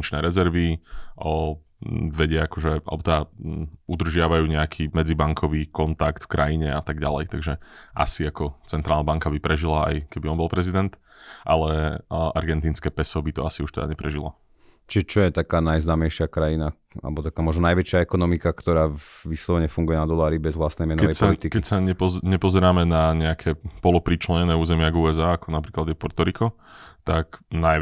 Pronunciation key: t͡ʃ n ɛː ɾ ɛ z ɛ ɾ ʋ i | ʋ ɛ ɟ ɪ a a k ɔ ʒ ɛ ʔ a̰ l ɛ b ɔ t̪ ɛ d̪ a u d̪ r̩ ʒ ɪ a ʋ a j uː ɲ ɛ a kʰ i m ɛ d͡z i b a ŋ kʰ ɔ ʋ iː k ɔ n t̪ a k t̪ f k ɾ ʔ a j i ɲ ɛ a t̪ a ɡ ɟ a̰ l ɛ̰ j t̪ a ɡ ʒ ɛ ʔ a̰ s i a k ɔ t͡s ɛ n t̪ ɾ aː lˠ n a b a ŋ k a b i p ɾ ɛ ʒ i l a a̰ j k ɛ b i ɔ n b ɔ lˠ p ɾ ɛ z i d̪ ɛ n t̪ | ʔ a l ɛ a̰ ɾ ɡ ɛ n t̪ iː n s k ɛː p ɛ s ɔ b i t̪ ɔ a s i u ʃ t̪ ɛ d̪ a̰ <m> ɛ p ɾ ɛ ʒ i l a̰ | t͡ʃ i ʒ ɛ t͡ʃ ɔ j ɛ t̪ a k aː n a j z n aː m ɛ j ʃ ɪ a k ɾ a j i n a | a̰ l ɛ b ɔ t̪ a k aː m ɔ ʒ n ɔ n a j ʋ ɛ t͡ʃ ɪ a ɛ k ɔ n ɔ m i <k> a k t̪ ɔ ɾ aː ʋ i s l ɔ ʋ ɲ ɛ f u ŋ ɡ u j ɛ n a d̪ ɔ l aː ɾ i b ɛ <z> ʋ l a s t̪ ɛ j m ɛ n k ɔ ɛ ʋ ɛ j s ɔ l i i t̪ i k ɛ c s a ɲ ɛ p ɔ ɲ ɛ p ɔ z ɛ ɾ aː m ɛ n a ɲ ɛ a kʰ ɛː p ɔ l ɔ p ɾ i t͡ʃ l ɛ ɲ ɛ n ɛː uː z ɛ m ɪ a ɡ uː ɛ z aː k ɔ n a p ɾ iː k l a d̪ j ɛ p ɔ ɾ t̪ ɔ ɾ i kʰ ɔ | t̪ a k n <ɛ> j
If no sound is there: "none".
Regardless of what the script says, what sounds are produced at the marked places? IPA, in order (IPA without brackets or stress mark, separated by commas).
ɲ, k, z, a